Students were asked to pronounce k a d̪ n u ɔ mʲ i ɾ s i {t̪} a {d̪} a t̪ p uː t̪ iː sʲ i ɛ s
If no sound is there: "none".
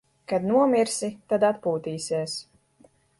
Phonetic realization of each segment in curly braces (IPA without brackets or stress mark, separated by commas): t̪, d̪